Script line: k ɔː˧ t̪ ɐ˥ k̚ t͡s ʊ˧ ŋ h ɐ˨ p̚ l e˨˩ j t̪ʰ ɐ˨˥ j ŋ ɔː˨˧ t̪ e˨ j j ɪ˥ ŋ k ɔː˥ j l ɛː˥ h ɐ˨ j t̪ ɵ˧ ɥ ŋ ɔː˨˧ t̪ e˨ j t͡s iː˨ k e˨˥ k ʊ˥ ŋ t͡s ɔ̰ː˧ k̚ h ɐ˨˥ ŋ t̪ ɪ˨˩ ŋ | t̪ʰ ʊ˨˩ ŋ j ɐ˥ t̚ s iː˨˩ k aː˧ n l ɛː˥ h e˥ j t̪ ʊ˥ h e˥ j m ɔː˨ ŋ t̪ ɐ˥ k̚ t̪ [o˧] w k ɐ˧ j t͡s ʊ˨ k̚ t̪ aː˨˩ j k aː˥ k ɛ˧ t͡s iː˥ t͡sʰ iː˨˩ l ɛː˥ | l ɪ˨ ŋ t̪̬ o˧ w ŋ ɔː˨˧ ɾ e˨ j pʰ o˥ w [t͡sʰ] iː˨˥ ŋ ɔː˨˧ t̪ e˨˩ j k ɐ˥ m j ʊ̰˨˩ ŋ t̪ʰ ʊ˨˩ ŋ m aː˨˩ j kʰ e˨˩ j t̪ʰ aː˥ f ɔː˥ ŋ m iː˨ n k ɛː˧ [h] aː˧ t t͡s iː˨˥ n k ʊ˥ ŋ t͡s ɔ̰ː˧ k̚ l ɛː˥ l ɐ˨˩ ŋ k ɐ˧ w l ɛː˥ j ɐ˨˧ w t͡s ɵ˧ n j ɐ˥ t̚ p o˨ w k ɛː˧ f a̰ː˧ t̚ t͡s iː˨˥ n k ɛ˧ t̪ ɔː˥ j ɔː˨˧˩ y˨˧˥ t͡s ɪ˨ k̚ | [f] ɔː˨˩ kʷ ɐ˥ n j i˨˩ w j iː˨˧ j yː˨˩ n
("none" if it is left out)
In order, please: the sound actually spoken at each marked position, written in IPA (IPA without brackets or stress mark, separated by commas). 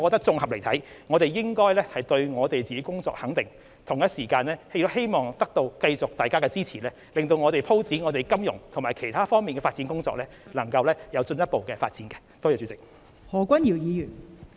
o˧, t͡s, f, h